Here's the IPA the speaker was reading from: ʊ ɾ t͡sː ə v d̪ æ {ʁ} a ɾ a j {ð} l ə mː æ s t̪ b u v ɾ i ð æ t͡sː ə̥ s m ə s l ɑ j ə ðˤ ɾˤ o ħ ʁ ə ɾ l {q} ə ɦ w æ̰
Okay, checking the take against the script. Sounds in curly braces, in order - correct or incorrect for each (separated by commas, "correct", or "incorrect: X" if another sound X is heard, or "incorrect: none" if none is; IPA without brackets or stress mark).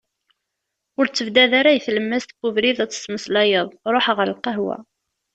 incorrect: ð, incorrect: θ, correct